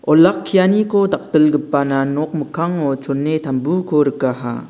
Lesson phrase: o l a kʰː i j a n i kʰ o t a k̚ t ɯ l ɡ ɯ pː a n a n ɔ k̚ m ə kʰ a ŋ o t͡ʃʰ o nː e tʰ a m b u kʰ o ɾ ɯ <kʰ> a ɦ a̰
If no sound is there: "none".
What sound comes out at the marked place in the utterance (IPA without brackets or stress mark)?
k